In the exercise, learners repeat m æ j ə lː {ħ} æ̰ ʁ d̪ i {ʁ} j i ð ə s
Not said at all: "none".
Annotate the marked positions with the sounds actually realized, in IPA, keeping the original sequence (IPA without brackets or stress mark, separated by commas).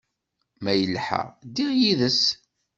ħ, ʁ